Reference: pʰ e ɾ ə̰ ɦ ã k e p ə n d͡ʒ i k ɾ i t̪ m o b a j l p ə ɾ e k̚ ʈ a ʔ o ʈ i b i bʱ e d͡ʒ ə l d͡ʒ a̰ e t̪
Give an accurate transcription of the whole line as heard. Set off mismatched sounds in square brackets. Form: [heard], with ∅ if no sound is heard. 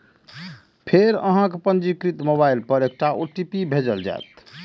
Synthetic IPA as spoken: pʰ e ɾ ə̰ ɦ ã k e p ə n d͡ʒ i k ɾ i t̪ m o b a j l p ə ɾ e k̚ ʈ a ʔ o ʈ i [p] i bʱ e d͡ʒ ə l d͡ʒ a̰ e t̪

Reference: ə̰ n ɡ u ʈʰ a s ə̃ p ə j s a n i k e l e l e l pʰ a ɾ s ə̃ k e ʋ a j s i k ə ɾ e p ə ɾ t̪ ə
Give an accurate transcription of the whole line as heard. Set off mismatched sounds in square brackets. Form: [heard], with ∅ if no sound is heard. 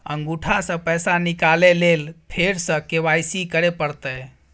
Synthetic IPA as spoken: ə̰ [ŋ] ɡ u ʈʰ a s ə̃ p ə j s a n i k [a] l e l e l pʰ [e] ɾ s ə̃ k e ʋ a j s i k ə ɾ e p ə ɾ t̪ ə

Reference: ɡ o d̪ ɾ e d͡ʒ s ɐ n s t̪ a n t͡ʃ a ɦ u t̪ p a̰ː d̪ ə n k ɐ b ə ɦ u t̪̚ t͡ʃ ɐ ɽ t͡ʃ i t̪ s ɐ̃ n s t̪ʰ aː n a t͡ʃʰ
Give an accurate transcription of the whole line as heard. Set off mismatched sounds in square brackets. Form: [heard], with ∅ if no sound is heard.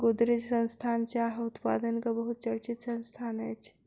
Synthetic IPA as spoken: ɡ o d̪ ɾ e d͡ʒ s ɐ n s [t̪ʰ] a n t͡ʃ a ɦ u t̪ p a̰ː d̪ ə n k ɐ b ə ɦ u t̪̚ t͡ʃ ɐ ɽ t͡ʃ i t̪ s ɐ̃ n s t̪ʰ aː n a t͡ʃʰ

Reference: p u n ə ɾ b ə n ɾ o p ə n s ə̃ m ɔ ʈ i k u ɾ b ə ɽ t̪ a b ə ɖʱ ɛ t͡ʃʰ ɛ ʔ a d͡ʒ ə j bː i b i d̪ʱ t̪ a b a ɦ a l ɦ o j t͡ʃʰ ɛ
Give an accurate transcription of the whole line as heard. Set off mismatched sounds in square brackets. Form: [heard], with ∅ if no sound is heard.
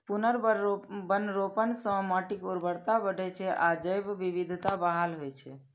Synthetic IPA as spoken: p u n ə ɾ b ə n ɾ o p ə n s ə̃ m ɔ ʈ i k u ɾ b ə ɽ t̪ a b ə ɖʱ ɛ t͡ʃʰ ɛ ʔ a d͡ʒ ə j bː i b i d̪ʱ t̪ a b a ɦ a l ɦ o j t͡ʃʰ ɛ

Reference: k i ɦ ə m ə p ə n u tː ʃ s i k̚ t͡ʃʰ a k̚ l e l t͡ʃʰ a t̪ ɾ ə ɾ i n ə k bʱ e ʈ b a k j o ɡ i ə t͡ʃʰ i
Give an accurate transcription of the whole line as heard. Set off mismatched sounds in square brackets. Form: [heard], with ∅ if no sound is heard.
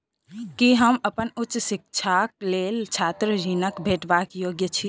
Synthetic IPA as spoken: k i ɦ ə m ə p ə n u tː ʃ s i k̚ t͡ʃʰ a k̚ l e l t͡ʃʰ a t̪ ɾ ə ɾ i n ə k bʱ e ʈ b a k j o ɡ [j] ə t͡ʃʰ i

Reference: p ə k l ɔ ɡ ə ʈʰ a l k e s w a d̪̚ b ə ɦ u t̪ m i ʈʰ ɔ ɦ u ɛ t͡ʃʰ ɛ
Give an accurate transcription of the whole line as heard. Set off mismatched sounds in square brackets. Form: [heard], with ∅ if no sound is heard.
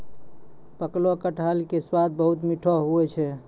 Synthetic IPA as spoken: p ə k l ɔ [k] ə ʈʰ a l k e s w a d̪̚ b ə ɦ u t̪ m i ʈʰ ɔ ɦ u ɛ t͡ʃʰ ɛ

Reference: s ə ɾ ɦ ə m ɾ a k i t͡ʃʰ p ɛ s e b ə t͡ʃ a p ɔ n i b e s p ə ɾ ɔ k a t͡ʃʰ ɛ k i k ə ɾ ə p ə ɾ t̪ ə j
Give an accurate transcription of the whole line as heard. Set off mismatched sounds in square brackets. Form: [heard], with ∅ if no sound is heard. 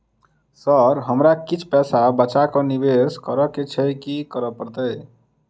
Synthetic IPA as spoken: s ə ɾ ɦ ə m ɾ a k i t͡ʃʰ p ɛ s [a] b ə t͡ʃ a [k] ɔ n i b e s [k] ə ɾ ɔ k [e] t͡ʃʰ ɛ k i k ə ɾ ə p ə ɾ t̪ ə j

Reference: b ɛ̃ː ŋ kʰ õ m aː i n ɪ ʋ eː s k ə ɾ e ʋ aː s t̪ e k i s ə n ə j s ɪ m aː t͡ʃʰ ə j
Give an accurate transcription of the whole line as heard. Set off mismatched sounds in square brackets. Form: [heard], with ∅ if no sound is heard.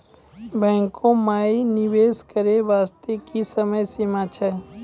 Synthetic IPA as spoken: b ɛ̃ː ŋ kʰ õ m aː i n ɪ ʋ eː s k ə ɾ e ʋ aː s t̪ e k i s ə [m] ə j s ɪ m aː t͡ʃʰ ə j

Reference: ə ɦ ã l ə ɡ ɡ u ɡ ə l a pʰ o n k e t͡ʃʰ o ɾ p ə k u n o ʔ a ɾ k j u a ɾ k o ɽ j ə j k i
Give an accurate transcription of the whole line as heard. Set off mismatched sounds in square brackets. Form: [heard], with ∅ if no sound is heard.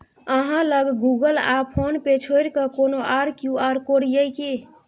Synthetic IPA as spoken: ə ɦ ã l ə ɡ ɡ u ɡ ə l a pʰ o n [p] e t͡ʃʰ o ɾ [k] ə k [o] n o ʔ a ɾ k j u a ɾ k o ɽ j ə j k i

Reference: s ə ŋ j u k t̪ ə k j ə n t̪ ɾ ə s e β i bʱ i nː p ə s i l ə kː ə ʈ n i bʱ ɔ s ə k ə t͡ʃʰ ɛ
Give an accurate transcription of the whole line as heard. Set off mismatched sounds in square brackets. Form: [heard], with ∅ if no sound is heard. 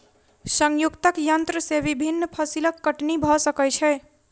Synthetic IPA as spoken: s ə ŋ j u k t̪ ə k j ə n t̪ ɾ ə s e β i bʱ i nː [pʰ] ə s i l ə kː ə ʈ n i bʱ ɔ s ə k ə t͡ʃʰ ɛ

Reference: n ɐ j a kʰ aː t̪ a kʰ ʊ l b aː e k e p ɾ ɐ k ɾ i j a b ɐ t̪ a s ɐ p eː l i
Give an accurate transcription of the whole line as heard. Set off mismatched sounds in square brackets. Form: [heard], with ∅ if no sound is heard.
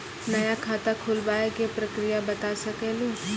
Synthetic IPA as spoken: n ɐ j a kʰ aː t̪ a kʰ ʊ l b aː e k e p ɾ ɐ k ɾ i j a b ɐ t̪ a s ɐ [k] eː l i

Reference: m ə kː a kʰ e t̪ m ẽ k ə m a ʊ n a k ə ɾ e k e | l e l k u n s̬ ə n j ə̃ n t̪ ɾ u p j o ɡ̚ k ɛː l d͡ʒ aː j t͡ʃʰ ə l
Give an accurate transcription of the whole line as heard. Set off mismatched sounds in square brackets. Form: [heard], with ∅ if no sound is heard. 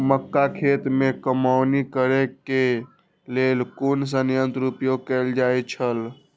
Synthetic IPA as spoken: m ə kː a kʰ e t̪ m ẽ k ə m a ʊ n [i] k ə ɾ e k e | l e l k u n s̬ ə n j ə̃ n t̪ ɾ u p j o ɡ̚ k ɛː l d͡ʒ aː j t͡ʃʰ ə l

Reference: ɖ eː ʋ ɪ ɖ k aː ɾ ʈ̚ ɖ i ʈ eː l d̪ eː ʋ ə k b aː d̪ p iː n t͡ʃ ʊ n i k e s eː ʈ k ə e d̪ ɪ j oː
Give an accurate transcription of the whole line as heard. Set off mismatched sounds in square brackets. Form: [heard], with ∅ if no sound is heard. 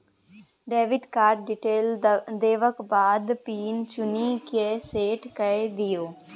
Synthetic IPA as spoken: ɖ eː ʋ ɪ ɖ k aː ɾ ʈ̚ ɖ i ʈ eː l d̪ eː ʋ ə k b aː d̪ p iː n t͡ʃ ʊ n i k e s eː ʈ k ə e d̪ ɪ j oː

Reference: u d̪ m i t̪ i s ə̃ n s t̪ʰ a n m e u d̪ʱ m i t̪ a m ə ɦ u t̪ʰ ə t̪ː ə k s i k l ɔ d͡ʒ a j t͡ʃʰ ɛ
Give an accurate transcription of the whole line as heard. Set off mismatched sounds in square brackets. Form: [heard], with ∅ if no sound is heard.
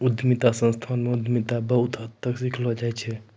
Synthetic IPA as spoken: u d̪ m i t̪ [a] s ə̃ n s t̪ʰ a n m e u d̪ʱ m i t̪ a [b] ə ɦ u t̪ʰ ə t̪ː ə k s i k l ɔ d͡ʒ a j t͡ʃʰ ɛ

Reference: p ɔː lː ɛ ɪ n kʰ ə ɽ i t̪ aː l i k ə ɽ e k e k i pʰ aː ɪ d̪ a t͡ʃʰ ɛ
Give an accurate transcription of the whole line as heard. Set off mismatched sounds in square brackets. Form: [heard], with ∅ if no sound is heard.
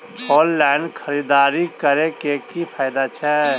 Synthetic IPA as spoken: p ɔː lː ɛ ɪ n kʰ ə [ɾ] i [d̪] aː [ɾ] i k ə [ɾ] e k e k i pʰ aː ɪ d̪ a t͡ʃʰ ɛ

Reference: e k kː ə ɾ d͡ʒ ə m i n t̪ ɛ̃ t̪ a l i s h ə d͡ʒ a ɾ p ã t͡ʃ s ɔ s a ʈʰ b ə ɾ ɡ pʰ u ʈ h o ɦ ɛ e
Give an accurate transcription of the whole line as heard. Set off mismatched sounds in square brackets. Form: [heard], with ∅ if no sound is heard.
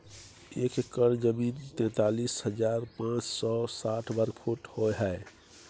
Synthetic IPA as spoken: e k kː ə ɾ d͡ʒ ə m i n t̪ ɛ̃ t̪ a l i s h ə d͡ʒ a ɾ p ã t͡ʃ s ɔ s a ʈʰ b ə ɾ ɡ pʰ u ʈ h o ɦ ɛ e

